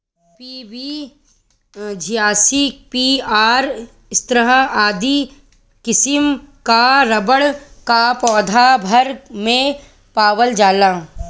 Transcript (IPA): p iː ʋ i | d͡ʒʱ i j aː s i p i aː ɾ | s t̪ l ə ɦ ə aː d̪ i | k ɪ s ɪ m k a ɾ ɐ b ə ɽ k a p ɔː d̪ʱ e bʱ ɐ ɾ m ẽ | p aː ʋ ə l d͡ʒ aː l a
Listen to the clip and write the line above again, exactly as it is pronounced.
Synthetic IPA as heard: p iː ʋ i | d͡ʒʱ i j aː s i p i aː ɾ | s t̪ ɾ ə ɦ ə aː d̪ i | k ɪ s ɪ m k a ɾ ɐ b ə ɽ k a p ɔː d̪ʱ a bʱ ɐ ɾ m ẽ | p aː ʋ ə l d͡ʒ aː l a